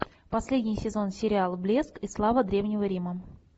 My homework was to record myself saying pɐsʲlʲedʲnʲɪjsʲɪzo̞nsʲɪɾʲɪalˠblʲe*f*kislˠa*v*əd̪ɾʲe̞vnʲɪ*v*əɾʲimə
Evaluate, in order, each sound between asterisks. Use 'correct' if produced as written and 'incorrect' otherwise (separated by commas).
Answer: incorrect, correct, correct